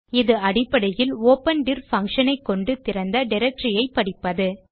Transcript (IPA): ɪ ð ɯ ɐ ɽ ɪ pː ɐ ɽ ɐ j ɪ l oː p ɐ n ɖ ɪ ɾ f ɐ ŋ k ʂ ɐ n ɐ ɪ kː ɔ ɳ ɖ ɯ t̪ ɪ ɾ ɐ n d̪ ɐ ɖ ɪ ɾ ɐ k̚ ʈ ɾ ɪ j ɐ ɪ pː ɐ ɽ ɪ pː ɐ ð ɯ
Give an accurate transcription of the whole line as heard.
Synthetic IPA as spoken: ɪ ð ɯ ɐ ɽ ɪ pː ɐ ɽ ɐ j ɪ l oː p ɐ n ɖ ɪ ɾ f ɐ ŋ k ʂ ɐ n ɐ ɪ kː ɔ ɳ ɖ ɯ t̪ ɪ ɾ ɐ n d̪ ɐ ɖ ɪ ɾ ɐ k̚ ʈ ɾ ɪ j ɐ ɪ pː ɐ ɽ ɪ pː ɐ ð ɯ